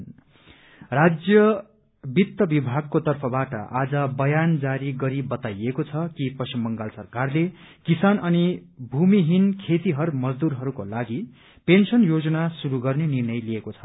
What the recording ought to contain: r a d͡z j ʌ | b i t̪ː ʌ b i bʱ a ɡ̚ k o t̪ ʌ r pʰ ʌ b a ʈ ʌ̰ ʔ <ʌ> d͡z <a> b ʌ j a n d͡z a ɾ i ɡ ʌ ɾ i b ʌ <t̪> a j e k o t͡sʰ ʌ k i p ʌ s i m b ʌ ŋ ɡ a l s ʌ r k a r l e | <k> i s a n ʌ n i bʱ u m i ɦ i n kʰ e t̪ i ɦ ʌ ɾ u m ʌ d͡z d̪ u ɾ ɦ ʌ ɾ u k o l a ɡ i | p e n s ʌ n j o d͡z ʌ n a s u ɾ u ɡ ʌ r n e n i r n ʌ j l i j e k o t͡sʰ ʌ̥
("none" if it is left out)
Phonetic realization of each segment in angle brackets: a, ʌ, t̪, k

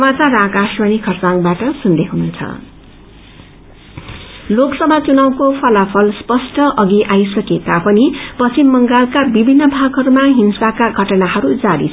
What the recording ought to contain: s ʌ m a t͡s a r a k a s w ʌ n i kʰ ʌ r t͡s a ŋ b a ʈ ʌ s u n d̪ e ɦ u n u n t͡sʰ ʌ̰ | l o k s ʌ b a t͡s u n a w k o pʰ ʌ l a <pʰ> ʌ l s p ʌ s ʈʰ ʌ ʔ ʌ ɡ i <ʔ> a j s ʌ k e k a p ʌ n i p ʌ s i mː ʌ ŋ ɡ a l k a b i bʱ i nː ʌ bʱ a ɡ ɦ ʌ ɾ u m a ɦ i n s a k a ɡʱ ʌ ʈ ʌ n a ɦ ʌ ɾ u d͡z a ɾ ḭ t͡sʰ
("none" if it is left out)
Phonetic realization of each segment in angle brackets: pʰ, ʔ

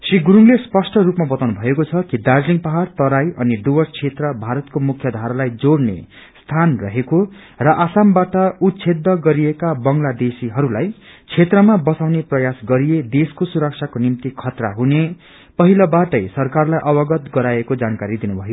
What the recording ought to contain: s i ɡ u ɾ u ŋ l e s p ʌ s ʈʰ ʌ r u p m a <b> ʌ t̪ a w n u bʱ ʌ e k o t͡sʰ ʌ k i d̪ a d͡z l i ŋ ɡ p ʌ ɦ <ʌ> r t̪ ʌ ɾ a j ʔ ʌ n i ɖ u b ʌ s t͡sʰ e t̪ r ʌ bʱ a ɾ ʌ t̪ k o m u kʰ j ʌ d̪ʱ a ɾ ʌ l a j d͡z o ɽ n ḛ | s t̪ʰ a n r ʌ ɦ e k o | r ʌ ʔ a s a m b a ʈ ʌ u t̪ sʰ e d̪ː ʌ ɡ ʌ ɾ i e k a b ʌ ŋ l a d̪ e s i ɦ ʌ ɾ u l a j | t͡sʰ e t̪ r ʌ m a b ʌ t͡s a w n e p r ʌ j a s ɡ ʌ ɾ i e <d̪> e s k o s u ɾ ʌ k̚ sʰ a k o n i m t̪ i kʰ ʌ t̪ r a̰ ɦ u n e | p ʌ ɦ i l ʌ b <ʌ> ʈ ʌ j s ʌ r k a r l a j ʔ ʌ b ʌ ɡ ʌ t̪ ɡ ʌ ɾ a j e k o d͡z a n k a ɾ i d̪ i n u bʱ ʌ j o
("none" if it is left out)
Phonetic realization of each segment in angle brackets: b, a, d̪, a

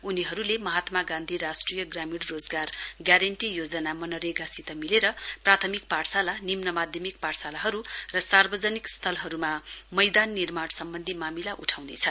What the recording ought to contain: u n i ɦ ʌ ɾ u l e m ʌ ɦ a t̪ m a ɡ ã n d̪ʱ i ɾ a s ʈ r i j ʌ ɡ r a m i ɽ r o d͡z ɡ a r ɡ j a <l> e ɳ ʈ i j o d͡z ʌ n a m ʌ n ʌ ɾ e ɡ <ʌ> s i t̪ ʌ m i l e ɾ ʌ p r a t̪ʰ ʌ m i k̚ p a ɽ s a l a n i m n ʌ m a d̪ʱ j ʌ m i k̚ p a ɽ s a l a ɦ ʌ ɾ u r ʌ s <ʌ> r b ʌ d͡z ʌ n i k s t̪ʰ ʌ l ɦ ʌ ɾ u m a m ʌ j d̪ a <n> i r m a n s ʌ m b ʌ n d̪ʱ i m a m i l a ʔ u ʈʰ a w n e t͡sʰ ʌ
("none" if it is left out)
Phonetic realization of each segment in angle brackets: ɾ, a, a, nː

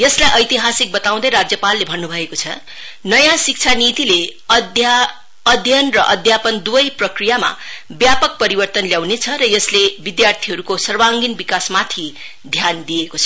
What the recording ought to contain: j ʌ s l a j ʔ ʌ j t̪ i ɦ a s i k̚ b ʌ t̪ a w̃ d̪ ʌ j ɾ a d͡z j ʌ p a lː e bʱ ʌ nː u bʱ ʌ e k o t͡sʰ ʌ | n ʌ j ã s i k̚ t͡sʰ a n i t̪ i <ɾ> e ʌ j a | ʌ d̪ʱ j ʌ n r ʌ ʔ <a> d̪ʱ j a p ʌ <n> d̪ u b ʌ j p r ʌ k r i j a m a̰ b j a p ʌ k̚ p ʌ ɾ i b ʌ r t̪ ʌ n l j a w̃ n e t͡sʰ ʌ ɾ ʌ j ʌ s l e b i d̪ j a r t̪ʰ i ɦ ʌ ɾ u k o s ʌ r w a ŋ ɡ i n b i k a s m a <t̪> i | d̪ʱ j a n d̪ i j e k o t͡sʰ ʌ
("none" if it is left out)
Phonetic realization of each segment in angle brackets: l, ʌ, n, t̪ʰ

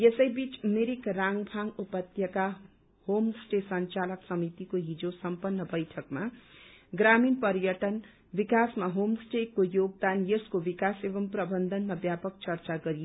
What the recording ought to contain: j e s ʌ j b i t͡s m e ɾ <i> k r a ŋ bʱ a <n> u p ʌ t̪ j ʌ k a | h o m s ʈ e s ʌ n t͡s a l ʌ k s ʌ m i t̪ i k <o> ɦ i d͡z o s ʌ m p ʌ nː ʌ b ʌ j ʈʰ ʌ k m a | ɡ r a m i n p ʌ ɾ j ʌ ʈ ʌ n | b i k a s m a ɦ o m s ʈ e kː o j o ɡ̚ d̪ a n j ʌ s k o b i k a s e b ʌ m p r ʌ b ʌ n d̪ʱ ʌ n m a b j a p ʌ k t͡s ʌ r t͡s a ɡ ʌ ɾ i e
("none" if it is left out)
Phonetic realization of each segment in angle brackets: i, ŋ, o

